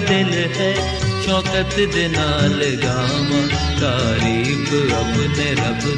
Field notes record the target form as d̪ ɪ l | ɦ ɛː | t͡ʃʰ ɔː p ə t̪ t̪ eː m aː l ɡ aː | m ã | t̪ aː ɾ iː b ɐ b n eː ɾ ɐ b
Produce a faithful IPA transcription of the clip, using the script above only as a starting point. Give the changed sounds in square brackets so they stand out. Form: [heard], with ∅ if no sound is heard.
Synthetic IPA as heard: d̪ ɪ l | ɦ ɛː | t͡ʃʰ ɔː [k] ə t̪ [d̪] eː [n] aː l ɡ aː | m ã | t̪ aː ɾ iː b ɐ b n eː ɾ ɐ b